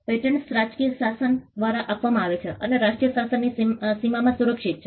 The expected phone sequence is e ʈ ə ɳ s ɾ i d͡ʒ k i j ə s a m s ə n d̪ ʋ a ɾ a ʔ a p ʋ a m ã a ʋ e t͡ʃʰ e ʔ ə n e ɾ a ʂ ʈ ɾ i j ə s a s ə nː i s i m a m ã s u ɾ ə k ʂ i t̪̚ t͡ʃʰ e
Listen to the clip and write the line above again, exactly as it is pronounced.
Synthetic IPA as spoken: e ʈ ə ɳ s ɾ a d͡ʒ k i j ə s a s ə n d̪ ʋ a ɾ a ʔ a p ʋ a m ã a ʋ e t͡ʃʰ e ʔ ə n e ɾ a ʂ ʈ ɾ i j ə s a s ə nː i s i m a m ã s u ɾ ə k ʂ i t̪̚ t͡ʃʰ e